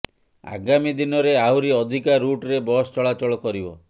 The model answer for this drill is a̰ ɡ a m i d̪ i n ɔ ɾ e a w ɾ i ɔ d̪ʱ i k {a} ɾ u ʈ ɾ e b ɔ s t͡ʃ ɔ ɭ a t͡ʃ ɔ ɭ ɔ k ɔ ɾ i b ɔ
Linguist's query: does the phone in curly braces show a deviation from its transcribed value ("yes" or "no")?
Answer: no